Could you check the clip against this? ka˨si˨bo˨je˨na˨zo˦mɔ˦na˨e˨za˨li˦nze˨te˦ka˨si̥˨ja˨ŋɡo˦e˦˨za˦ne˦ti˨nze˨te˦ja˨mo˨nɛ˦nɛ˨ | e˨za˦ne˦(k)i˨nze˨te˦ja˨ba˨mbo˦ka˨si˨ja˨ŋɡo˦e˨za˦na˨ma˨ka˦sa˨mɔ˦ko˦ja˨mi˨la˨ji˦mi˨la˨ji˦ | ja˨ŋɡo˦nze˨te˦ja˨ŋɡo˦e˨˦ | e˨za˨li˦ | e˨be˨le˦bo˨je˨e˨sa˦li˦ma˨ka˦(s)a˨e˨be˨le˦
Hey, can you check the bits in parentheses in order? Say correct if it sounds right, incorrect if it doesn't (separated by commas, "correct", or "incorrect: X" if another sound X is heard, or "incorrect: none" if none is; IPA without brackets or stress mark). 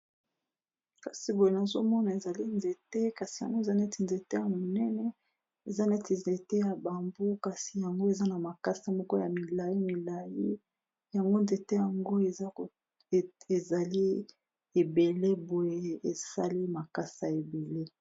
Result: incorrect: t, correct